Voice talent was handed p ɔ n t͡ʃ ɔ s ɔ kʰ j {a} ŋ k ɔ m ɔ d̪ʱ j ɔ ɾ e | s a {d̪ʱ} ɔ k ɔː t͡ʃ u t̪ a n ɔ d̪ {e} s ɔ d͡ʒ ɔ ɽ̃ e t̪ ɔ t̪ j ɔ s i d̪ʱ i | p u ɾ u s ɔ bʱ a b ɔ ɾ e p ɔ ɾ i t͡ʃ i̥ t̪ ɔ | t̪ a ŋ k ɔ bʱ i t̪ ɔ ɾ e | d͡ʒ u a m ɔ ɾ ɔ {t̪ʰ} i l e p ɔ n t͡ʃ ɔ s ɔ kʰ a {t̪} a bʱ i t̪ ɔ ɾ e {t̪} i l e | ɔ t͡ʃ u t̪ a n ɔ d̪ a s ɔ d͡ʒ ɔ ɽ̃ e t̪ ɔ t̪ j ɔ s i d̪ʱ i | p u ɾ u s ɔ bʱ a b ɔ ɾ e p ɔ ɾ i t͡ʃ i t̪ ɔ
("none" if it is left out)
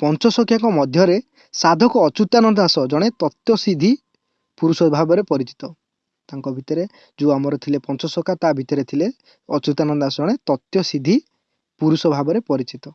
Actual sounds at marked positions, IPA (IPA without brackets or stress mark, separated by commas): a, d̪ʱ, a, t̪ʰ, t̪, t̪ʰ